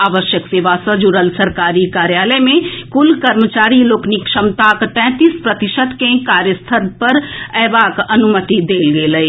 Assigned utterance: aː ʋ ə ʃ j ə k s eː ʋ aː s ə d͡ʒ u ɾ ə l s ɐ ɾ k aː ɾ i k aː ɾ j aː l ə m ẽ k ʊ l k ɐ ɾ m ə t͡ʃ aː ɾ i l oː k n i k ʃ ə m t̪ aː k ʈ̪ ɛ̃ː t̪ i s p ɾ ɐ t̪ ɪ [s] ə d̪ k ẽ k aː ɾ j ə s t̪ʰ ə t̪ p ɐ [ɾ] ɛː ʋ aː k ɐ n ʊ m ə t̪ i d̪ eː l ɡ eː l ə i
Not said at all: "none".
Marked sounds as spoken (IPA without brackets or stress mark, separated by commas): ʃ, ɾ